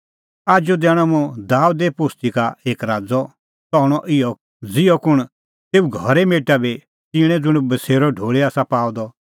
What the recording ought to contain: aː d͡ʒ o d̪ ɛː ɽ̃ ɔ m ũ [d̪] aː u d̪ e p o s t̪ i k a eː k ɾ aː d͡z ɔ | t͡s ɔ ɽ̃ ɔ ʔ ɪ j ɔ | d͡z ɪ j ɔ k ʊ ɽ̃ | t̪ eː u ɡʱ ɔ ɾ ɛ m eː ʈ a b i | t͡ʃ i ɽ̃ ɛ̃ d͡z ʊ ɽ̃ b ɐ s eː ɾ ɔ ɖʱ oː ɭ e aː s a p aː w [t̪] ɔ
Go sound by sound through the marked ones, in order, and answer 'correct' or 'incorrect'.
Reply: correct, incorrect: d̪

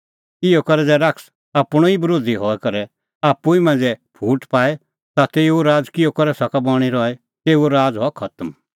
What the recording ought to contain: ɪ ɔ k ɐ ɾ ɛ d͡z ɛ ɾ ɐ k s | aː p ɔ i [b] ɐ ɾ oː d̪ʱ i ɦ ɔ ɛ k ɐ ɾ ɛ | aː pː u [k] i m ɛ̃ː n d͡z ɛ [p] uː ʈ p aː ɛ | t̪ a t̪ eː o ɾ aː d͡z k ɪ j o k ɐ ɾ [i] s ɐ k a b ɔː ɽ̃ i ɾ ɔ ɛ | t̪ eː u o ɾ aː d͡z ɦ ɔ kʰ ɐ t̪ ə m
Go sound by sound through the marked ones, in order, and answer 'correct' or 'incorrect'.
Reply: correct, incorrect: none, incorrect: pʰ, incorrect: ɛ

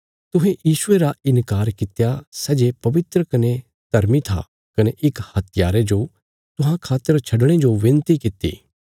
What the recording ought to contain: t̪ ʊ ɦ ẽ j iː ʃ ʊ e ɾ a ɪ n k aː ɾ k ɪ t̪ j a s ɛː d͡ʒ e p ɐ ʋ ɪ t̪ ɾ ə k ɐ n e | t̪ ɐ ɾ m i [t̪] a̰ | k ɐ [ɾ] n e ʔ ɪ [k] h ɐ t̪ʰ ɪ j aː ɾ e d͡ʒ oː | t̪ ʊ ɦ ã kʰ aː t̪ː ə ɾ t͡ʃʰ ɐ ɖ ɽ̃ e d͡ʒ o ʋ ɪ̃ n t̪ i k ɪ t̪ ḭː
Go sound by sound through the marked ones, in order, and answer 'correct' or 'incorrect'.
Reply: incorrect: t̪ʰ, incorrect: none, correct

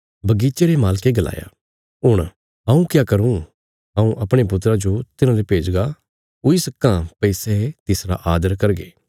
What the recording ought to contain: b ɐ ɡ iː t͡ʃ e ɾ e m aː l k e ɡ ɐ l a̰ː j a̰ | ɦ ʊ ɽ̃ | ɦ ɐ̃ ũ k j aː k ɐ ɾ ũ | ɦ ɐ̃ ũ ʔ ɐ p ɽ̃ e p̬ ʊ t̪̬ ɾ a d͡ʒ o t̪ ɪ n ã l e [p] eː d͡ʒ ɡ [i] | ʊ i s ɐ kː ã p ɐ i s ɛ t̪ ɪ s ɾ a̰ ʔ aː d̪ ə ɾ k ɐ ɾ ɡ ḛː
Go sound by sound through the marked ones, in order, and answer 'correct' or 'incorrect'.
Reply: correct, incorrect: a

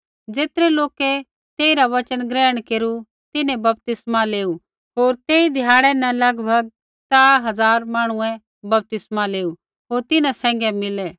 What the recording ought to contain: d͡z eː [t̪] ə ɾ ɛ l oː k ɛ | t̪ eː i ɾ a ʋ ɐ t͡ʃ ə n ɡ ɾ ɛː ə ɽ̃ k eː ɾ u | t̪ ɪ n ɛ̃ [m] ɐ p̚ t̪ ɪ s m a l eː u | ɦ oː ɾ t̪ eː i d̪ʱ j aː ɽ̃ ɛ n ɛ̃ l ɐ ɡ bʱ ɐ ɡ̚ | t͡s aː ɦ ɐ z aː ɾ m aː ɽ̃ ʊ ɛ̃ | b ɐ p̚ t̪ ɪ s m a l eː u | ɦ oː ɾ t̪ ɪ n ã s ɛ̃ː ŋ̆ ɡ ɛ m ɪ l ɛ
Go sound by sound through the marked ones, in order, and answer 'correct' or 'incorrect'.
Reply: correct, incorrect: b

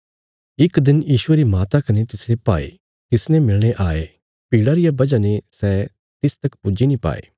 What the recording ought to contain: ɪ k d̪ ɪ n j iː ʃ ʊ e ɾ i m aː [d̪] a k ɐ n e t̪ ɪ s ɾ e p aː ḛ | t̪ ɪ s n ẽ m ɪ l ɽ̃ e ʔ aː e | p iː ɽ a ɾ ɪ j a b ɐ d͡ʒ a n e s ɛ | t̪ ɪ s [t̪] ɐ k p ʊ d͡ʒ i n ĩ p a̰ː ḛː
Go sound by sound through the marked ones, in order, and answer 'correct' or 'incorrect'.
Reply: incorrect: t̪, correct

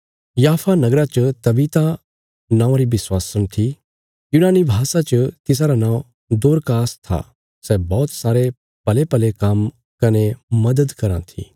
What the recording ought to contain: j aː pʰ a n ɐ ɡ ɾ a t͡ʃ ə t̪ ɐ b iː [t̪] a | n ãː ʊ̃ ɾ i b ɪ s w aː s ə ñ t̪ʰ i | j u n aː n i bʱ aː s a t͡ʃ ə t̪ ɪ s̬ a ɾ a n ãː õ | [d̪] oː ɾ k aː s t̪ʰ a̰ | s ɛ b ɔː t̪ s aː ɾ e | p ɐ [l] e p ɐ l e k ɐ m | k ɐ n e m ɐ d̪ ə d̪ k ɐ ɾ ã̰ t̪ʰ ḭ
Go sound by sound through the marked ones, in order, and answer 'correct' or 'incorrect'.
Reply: correct, correct, correct

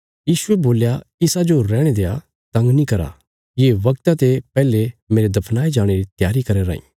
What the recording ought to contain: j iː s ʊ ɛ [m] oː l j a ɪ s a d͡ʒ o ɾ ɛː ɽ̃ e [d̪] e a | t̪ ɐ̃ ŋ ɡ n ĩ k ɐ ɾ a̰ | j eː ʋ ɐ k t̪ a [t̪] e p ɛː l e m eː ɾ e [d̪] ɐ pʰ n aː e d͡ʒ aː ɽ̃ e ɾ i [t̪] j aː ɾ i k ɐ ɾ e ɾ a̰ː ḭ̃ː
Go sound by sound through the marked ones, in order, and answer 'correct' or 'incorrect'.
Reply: incorrect: b, correct, correct, correct, correct

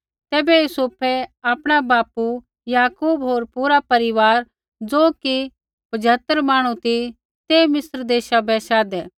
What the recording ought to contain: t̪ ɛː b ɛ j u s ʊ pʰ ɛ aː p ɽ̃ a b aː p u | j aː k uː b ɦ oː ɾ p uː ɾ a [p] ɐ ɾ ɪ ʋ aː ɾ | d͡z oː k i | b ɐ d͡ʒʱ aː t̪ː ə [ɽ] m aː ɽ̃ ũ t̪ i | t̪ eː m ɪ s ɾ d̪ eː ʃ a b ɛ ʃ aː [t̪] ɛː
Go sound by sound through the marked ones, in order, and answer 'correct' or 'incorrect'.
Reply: correct, incorrect: ɾ, incorrect: d̪

